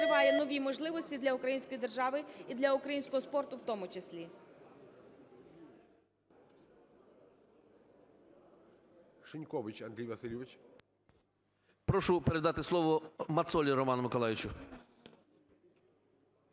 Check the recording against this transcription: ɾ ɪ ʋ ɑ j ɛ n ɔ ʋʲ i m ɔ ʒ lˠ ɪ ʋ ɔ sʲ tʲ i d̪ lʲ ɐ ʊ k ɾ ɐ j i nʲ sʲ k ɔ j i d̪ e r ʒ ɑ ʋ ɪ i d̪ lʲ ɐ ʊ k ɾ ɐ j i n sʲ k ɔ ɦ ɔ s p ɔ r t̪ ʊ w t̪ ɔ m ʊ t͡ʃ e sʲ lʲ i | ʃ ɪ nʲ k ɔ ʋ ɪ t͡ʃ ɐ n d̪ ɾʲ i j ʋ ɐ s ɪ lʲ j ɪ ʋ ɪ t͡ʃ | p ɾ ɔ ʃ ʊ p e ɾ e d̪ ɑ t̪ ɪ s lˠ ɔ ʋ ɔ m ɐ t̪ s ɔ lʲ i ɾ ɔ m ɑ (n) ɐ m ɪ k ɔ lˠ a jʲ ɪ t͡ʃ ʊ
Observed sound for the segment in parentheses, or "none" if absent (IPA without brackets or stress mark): n